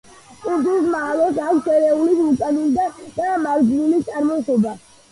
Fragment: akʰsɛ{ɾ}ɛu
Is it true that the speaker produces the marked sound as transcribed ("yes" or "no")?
yes